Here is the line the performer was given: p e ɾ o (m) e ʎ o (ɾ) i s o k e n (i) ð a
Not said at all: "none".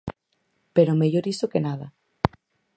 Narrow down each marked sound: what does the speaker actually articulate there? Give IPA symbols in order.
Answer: m, ɾ, a

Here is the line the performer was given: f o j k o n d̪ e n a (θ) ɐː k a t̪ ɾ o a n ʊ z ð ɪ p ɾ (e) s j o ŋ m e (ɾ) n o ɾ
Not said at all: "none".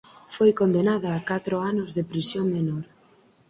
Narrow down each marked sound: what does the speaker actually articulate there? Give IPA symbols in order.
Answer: ð, i, none

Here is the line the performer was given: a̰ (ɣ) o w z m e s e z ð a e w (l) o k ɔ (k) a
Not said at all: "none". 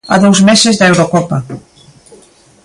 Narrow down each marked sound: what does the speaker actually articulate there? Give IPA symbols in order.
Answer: ð, ɾ, p

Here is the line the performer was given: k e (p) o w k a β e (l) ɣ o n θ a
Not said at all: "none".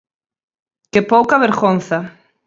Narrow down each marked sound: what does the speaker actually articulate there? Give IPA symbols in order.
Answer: p, ɾ

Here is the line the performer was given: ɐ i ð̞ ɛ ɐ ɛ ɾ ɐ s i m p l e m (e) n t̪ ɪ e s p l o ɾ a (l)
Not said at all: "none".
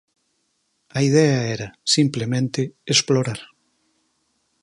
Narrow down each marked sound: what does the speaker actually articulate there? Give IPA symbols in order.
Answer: ẽ, ɾ

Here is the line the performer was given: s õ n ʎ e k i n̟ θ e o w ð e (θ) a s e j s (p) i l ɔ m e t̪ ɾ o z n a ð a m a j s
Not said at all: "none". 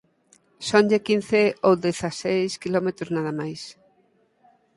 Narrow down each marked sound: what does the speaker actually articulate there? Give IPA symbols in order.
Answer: θ, k

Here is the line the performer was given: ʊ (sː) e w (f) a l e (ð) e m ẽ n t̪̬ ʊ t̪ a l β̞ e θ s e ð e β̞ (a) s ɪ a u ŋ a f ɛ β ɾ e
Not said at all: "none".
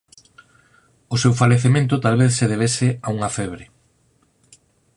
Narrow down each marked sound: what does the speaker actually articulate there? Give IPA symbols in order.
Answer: s, f, θ, e

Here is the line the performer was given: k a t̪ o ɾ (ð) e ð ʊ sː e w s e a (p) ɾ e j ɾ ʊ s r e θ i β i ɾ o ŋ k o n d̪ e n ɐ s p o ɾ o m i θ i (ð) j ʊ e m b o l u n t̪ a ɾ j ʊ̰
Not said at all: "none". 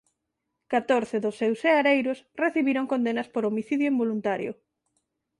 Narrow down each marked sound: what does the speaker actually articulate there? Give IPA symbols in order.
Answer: θ, none, ð

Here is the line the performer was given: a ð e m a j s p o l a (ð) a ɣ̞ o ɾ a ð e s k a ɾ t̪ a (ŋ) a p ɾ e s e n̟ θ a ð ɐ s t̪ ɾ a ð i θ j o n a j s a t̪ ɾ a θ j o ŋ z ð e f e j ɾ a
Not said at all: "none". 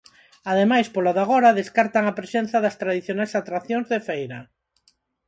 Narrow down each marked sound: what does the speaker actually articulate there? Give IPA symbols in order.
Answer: ð, ŋ

